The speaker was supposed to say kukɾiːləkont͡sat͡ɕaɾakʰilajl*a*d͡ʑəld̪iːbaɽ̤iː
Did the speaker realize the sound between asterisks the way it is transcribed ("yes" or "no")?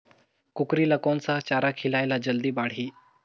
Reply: yes